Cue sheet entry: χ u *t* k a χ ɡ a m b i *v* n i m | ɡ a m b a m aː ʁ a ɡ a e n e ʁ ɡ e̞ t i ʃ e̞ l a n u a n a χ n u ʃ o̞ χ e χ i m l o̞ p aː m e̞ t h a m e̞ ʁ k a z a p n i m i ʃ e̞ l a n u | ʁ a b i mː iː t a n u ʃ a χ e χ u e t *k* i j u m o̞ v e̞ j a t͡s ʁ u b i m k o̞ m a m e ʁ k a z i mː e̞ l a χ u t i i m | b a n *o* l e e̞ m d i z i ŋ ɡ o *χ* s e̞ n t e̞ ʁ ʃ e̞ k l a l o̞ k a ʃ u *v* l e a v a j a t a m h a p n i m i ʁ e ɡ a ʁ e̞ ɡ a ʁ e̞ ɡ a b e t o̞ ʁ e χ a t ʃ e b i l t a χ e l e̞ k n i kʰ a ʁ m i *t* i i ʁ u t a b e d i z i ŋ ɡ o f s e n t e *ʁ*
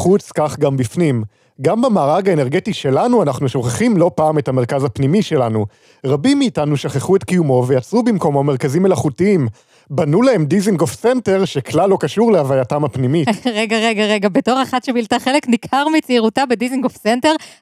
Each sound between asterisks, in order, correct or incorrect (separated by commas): incorrect, incorrect, correct, incorrect, incorrect, incorrect, incorrect, correct